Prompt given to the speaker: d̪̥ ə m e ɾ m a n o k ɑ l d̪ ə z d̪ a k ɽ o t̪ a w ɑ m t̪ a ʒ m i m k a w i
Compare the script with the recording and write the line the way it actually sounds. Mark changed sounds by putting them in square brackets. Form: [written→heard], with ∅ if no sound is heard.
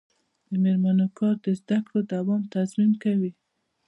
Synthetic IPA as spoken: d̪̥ ə m e ɾ m a n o k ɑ [l→ɾ] d̪ ə z d̪ a k ɽ o [t̪→d̪] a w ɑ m t̪ a [ʒ→z] m i m k a w i